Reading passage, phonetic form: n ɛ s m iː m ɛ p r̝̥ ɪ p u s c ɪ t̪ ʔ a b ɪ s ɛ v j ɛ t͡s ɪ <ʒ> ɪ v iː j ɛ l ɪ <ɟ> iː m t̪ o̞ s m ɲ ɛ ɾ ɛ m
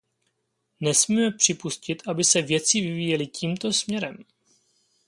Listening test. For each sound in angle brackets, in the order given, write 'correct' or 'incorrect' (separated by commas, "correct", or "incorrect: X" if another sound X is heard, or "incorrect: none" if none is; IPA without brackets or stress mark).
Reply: incorrect: v, incorrect: c